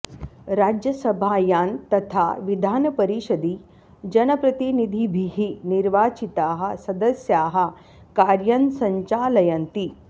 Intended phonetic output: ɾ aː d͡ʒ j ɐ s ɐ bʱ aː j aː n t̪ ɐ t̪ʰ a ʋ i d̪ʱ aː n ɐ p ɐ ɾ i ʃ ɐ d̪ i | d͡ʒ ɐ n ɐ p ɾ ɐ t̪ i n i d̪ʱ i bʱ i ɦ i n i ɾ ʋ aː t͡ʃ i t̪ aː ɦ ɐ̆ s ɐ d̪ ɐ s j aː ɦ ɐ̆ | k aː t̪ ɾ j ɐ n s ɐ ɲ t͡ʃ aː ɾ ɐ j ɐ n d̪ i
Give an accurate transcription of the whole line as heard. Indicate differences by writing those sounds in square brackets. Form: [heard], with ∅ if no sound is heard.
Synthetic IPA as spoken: ɾ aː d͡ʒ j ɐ s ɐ bʱ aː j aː n t̪ ɐ t̪ʰ a ʋ i d̪ʱ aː n ɐ p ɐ ɾ i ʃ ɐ d̪ i | d͡ʒ ɐ n ɐ p ɾ ɐ t̪ i n i d̪ʱ i bʱ i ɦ i n i ɾ ʋ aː t͡ʃ i t̪ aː ɦ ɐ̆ s ɐ d̪ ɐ s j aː ɦ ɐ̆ | k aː [∅] ɾ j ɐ n s ɐ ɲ t͡ʃ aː [l] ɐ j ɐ n [t̪] i